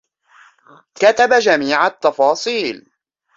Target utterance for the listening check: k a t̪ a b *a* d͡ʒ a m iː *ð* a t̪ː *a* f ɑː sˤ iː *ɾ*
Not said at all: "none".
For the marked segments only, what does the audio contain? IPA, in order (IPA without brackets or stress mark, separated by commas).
a, ʕ, ɑ, l